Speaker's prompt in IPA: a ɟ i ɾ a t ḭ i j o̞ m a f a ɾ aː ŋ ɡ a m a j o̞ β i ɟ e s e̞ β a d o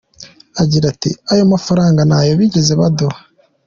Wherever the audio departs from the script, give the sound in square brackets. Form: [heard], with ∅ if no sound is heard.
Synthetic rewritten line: a ɟ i ɾ a t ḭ [a] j o̞ m a f a ɾ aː ŋ ɡ a [n] a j o̞ β i ɟ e [z] e̞ β a d o